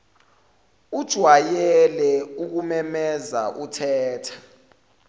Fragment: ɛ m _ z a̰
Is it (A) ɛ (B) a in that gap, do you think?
A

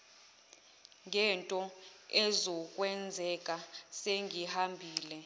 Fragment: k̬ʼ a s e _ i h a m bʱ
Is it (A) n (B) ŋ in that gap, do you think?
B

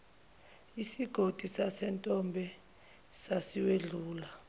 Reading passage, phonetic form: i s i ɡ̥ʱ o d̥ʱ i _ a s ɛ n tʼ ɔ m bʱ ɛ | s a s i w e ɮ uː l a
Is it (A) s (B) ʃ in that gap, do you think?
A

